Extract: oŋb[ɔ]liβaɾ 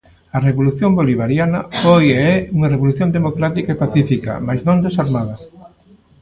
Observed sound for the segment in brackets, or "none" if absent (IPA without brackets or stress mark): o